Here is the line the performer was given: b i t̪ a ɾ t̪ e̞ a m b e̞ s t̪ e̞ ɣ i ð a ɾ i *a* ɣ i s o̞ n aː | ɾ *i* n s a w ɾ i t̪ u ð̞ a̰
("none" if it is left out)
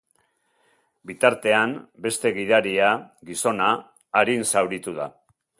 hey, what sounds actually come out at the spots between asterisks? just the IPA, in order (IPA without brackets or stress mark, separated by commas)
a, i